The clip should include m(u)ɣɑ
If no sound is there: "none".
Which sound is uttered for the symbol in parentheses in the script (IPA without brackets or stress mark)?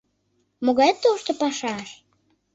o